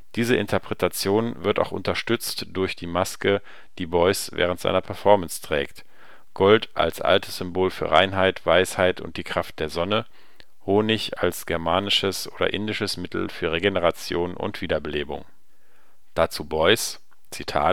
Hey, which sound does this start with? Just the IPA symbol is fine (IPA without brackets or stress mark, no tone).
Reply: d̥